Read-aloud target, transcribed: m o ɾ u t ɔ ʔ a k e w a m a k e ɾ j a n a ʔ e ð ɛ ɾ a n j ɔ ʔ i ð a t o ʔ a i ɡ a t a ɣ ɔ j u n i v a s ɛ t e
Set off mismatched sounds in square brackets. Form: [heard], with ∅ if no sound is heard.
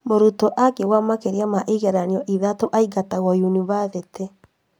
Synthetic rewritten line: m o ɾ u t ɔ ʔ a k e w a m a k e ɾ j a [m] a ʔ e [ɣ] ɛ ɾ a n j ɔ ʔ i ð a t o ʔ a i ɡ a t a ɣ ɔ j u n i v a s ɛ t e